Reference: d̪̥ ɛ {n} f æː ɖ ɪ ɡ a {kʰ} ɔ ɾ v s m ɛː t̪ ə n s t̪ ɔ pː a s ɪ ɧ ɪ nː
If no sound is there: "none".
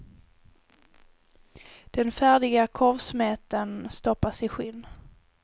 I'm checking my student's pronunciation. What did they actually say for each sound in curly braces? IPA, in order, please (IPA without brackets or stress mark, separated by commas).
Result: n, kʰ